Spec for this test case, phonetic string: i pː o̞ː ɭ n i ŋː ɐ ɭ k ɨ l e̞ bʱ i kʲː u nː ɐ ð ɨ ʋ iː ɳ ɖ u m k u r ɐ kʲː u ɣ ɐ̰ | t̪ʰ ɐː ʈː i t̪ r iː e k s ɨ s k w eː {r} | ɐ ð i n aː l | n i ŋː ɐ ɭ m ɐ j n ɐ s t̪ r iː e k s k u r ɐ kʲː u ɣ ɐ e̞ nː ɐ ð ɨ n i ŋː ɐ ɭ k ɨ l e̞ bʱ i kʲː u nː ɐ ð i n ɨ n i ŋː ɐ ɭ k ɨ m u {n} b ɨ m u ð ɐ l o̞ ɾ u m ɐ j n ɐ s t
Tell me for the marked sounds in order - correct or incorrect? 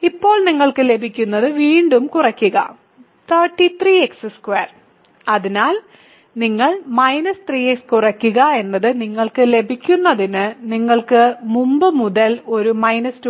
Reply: correct, incorrect: m

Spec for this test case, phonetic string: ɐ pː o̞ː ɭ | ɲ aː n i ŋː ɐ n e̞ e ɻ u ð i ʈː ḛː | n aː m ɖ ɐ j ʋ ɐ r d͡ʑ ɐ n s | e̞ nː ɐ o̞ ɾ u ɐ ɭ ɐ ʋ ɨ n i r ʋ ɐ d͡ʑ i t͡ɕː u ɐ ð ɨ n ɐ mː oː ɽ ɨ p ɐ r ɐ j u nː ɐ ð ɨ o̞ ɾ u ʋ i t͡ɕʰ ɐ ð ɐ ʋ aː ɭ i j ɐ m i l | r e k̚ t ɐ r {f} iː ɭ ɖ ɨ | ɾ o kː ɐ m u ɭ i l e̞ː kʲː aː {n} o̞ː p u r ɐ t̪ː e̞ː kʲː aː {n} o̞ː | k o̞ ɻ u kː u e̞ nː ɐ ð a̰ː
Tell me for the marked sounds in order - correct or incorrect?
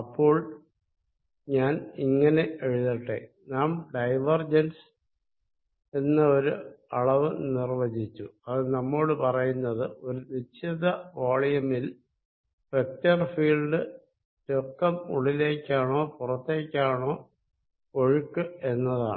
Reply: correct, incorrect: ɳ, incorrect: ɳ

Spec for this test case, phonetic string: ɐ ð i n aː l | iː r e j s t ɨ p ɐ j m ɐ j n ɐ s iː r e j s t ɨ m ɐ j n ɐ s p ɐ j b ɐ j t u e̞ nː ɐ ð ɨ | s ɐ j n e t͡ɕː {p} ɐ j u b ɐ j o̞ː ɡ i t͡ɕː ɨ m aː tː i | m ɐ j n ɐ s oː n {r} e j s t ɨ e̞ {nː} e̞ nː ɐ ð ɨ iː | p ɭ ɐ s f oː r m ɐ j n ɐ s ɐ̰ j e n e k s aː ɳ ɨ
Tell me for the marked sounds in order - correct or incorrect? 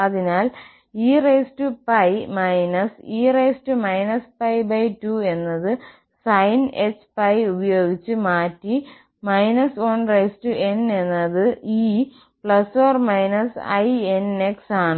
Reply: correct, correct, incorrect: n

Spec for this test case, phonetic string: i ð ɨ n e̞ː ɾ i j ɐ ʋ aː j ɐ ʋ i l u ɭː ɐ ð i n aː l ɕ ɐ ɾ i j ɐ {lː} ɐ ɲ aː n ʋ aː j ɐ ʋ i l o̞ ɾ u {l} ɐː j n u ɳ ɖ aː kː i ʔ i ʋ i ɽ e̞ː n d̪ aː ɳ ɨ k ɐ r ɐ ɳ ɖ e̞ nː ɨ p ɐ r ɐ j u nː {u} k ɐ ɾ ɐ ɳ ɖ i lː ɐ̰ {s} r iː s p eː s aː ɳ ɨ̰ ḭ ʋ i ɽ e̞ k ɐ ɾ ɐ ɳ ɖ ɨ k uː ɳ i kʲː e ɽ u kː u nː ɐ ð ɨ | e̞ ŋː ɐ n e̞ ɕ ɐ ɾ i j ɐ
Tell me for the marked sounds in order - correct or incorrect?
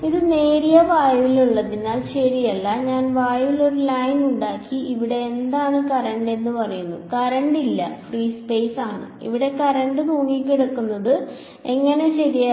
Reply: correct, correct, correct, incorrect: f

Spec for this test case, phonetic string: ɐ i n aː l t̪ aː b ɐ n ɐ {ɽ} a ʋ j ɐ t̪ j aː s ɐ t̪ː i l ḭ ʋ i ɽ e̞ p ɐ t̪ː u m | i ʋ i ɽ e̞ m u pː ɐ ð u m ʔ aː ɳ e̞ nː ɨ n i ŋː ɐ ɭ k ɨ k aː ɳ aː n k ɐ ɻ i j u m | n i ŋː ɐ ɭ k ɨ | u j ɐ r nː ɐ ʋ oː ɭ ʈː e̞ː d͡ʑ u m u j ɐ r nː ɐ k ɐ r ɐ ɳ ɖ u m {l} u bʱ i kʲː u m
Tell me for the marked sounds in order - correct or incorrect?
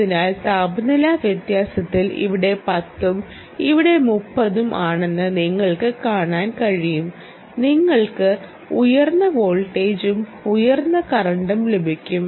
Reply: incorrect: l, correct

